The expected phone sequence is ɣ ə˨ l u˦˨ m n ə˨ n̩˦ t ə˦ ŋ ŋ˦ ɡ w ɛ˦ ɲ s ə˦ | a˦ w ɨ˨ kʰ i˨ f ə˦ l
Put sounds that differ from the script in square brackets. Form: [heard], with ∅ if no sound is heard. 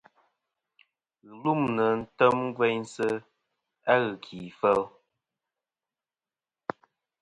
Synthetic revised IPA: ɣ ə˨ l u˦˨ m n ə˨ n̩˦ t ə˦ [m] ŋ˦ ɡ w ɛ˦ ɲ s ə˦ | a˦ [ɣ] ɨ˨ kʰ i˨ f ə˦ l